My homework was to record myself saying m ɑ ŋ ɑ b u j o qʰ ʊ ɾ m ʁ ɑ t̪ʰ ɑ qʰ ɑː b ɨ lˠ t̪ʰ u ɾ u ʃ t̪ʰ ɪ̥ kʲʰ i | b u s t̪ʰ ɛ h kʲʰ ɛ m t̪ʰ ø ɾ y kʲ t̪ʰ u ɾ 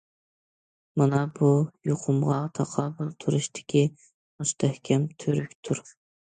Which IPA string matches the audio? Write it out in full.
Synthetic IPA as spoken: m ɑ n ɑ b u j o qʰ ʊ m ʁ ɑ t̪ʰ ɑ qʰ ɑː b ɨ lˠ t̪ʰ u ɾ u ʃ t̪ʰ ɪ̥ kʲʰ i | m u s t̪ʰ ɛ h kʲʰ ɛ m t̪ʰ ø ɾ y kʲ t̪ʰ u ɾ